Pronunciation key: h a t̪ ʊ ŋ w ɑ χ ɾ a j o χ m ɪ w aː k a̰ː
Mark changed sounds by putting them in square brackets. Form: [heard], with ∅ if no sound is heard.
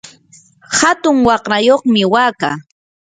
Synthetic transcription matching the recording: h a t̪ ʊ ŋ w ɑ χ ɾ a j o χ m ɪ w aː k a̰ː